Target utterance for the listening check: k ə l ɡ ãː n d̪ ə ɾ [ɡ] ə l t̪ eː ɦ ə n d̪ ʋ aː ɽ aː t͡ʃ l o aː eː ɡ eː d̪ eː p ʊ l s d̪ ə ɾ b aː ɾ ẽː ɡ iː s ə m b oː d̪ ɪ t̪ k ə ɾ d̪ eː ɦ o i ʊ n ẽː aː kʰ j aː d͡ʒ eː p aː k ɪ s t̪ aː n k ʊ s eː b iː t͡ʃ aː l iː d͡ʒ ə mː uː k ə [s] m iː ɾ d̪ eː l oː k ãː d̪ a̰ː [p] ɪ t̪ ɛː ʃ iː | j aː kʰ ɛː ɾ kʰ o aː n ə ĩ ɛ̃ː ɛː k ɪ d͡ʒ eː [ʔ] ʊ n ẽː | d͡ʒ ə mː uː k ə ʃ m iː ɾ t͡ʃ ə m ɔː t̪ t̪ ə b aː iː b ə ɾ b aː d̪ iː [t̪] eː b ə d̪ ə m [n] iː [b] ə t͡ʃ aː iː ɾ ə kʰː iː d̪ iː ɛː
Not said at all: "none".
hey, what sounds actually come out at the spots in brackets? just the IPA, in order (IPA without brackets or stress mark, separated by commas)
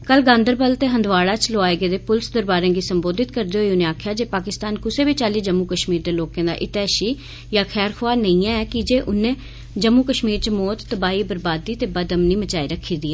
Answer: b, ʃ, ʔ, ʔ, t̪, n, m